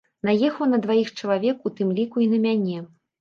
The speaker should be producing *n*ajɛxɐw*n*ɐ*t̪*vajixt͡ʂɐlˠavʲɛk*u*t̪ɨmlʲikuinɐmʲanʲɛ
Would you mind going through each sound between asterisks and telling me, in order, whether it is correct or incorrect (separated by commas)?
correct, correct, incorrect, correct